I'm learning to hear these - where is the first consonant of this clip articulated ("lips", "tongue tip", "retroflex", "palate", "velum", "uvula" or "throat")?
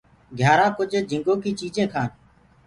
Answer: velum